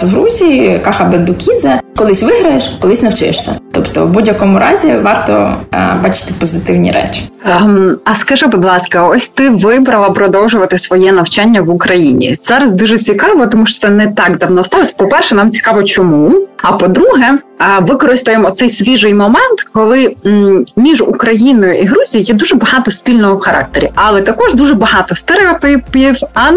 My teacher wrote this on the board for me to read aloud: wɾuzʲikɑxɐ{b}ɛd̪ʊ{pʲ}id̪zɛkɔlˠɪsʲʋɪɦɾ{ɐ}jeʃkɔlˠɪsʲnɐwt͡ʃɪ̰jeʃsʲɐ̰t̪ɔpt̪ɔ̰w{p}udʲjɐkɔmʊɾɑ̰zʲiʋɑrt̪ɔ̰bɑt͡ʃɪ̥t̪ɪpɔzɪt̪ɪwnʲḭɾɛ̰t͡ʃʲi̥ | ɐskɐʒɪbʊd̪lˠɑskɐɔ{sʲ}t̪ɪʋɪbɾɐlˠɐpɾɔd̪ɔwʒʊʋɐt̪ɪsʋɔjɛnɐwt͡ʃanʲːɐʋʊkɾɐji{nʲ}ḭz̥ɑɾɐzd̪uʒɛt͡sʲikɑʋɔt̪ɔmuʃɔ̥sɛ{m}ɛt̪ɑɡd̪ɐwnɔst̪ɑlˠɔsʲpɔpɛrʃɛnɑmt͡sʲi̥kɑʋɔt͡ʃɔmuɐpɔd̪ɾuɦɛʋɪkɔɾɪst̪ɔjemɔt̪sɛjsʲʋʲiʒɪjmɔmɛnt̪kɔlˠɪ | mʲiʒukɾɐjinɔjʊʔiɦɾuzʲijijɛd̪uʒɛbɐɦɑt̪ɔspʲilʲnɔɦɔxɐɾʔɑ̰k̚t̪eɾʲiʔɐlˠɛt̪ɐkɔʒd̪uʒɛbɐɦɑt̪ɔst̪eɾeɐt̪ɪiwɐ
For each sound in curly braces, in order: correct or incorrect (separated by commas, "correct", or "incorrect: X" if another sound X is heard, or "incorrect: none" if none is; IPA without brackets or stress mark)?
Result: correct, incorrect: kʲ, correct, incorrect: b, correct, correct, incorrect: n